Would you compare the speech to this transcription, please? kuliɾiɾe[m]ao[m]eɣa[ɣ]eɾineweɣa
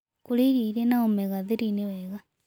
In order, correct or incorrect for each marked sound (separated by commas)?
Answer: incorrect, correct, incorrect